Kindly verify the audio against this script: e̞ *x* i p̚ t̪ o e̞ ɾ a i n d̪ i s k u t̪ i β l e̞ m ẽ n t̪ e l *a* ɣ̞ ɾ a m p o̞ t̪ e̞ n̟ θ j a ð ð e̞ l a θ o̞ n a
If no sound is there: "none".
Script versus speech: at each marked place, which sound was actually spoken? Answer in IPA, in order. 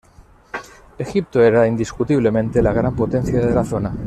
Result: x, a

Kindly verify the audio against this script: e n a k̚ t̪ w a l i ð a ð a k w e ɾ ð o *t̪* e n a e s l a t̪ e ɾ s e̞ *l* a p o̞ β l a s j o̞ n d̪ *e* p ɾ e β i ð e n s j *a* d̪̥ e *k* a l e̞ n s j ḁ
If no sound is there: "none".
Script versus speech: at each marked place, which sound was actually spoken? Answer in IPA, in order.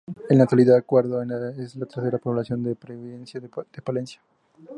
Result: none, ɾ, e, a, p

